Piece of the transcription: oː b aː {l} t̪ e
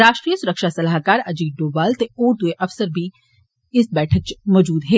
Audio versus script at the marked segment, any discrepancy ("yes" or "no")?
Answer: no